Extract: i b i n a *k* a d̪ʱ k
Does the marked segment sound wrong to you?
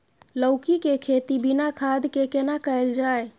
yes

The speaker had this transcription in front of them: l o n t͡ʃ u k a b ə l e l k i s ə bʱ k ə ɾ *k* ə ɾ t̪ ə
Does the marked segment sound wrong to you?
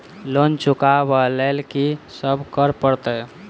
yes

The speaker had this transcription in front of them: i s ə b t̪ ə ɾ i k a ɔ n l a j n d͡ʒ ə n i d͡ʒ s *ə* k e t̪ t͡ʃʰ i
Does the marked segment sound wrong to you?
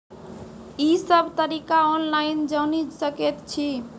no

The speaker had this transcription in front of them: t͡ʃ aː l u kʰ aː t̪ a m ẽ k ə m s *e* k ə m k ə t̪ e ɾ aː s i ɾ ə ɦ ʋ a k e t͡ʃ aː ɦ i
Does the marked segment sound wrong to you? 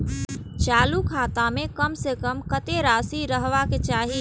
no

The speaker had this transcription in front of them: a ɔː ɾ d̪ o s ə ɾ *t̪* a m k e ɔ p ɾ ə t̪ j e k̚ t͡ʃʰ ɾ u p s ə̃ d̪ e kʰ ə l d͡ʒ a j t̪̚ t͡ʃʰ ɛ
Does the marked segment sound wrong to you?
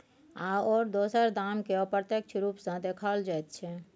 yes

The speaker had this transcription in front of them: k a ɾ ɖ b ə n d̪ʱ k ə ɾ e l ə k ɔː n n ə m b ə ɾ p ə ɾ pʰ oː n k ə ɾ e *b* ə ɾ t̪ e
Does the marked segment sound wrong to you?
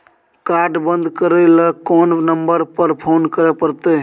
yes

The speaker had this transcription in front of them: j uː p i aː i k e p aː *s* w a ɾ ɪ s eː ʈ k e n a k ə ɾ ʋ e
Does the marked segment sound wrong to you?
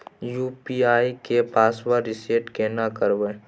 no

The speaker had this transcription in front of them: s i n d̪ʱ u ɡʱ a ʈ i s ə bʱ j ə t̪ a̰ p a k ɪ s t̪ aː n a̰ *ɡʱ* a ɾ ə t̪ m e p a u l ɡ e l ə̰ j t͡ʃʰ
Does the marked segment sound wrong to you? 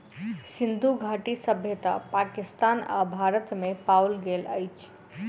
yes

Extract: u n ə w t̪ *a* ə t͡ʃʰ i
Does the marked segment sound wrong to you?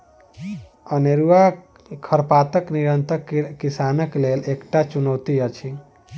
yes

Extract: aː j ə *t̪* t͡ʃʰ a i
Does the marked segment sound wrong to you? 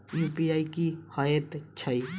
no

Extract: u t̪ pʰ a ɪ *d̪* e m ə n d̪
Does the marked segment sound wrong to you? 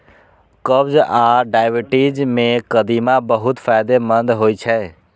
no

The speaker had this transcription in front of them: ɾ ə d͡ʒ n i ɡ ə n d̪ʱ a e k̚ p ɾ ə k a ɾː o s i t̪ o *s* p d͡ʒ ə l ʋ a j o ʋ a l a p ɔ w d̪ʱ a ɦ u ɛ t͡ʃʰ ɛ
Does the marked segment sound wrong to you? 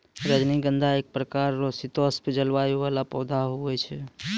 no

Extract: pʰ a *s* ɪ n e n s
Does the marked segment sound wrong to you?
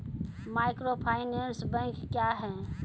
yes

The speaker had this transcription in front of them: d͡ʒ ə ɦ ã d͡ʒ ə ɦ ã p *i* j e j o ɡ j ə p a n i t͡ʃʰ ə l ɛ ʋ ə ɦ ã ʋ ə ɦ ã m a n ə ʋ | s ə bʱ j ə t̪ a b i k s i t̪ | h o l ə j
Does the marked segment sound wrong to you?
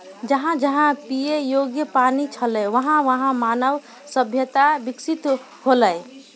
no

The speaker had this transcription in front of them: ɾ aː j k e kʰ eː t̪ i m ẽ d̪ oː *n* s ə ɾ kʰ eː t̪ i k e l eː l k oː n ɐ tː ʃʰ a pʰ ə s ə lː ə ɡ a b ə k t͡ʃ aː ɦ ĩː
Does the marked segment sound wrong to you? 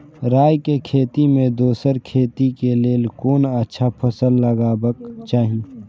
yes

